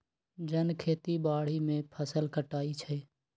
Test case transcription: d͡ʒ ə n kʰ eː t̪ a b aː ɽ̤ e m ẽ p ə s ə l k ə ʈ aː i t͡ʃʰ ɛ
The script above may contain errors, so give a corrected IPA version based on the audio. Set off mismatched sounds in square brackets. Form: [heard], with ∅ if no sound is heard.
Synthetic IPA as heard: d͡ʒ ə n kʰ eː t̪ [i] b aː ɽ̤ [i] m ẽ [pʰ] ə s ə l k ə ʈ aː i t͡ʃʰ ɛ